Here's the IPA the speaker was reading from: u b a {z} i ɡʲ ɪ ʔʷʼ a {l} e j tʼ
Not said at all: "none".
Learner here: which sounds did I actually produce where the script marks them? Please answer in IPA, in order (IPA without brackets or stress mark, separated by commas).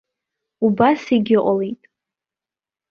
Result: s, l